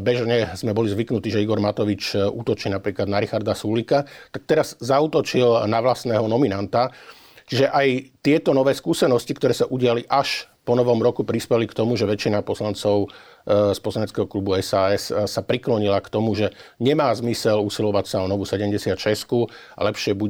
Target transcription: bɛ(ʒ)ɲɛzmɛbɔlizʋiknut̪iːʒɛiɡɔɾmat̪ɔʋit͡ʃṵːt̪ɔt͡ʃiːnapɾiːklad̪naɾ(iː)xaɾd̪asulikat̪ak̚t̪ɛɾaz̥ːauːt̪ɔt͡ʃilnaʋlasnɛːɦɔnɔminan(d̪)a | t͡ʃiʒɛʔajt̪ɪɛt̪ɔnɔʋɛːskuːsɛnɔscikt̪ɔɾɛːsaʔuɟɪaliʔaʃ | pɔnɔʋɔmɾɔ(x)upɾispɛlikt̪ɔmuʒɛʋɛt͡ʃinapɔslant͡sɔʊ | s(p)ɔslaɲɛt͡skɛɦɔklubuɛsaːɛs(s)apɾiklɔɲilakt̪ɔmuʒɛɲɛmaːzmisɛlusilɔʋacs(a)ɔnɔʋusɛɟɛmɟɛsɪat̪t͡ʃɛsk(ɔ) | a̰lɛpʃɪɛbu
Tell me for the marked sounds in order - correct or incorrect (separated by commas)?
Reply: correct, incorrect, incorrect, incorrect, correct, correct, correct, incorrect